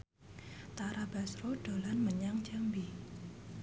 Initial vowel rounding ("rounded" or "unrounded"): unrounded